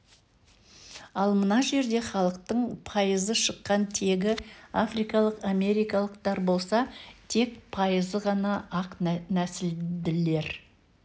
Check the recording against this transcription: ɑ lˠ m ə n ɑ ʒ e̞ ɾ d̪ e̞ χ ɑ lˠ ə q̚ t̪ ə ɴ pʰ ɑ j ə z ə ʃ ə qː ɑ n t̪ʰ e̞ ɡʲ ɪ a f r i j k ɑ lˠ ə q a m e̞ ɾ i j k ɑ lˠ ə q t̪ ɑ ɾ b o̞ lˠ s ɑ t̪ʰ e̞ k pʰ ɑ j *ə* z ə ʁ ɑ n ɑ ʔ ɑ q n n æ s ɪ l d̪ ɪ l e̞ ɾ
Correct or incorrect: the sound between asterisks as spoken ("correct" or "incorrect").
correct